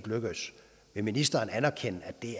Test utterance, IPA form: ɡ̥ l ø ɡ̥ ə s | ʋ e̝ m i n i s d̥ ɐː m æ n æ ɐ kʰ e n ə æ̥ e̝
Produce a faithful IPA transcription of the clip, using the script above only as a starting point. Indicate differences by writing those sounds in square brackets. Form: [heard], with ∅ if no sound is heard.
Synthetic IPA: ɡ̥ l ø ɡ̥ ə s | ʋ e̝ m i n i s d̥ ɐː [n] æ n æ ɐ kʰ e n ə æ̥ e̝